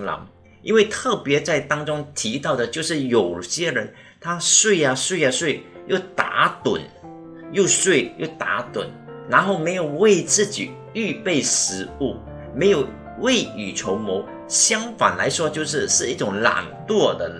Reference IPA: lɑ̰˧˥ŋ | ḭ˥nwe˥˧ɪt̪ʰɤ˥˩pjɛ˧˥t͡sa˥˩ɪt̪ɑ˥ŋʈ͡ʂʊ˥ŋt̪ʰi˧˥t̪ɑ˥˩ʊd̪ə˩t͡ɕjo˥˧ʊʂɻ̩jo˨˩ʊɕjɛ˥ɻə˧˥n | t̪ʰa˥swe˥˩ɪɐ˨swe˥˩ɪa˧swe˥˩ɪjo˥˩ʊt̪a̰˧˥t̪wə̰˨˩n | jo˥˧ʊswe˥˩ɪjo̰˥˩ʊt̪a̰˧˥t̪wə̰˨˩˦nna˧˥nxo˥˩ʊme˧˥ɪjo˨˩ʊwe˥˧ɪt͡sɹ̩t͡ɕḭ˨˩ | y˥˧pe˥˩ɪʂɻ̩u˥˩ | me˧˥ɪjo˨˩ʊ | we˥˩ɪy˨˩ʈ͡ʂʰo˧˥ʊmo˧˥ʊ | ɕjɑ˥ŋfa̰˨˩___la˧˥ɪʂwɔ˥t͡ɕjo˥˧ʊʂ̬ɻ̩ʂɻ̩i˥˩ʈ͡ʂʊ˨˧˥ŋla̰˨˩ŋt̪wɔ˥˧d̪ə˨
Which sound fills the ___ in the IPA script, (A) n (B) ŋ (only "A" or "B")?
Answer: A